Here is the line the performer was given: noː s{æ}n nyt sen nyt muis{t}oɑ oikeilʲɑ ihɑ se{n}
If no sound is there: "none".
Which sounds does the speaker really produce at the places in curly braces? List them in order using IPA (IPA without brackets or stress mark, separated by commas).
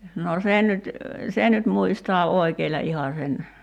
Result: e, t, n